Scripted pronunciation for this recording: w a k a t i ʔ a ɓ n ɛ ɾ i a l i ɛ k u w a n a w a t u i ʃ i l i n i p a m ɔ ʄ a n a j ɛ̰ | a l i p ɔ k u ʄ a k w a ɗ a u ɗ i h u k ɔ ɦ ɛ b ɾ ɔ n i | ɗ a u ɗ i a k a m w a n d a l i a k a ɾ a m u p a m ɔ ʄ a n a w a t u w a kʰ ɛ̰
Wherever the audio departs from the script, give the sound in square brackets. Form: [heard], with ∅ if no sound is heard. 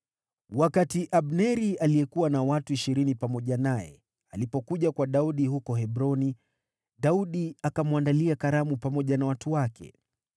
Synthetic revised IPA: w a k a t i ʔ a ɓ n ɛ ɾ i a l i ɛ k u w a n a w a t u i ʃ i [ɾ] i n i p a m ɔ ʄ a n a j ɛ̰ | a l i p ɔ k u ʄ a k w a ɗ a u ɗ i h u k ɔ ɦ ɛ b ɾ ɔ n i | ɗ a u ɗ i a k a m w a n d a l i a k a ɾ a m u p a m ɔ ʄ a n a w a t u w a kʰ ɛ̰